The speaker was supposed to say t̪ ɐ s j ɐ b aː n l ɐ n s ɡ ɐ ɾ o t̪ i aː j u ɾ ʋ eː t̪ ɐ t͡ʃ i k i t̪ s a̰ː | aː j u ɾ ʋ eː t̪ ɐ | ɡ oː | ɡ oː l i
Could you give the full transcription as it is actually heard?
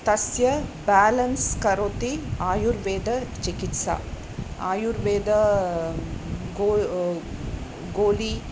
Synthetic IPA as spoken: t̪ ɐ s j ɐ b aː l ɐ n s k ɐ ɾ o t̪ i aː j u ɾ ʋ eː d̪ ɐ t͡ʃ i k i t̪ s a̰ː | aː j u ɾ ʋ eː d̪ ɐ | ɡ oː | ɡ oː l i